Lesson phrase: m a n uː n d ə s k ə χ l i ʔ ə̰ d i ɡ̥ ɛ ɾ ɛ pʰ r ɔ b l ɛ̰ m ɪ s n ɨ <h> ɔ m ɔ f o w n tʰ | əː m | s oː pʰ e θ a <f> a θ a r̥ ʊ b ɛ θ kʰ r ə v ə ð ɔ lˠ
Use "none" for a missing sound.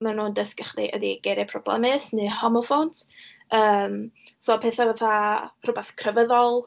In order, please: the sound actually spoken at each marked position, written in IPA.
h, v

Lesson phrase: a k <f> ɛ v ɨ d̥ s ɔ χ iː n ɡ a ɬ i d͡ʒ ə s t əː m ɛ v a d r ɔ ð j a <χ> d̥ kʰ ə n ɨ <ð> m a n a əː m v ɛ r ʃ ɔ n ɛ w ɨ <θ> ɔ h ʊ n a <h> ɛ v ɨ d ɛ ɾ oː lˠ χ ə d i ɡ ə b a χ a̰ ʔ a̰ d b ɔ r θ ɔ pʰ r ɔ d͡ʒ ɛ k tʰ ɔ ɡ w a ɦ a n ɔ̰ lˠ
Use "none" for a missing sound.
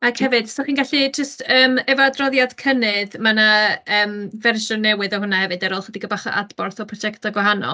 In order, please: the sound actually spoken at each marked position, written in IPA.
h, none, ð, ð, h

